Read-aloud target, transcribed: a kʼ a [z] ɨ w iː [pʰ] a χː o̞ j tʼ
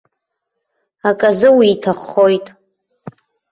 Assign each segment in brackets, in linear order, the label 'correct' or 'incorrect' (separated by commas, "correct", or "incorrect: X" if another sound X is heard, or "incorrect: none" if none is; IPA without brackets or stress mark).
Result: correct, incorrect: tʰ